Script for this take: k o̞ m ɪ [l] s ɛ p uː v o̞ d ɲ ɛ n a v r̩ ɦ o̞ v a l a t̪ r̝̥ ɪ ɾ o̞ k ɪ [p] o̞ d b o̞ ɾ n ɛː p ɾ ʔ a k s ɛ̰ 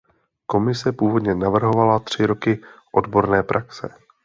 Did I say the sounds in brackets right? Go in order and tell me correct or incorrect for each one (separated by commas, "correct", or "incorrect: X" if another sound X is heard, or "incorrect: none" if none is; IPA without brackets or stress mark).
incorrect: none, incorrect: ʔ